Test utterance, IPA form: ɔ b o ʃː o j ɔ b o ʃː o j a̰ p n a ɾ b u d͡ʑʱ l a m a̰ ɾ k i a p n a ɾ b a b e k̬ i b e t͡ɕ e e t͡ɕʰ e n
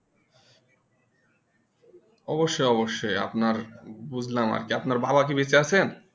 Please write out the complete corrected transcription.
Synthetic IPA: ɔ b o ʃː o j ɔ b o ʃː o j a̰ p n a ɾ b u d͡ʑʱ l a m a̰ ɾ k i a p n a ɾ b a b a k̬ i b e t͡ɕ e a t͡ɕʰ e n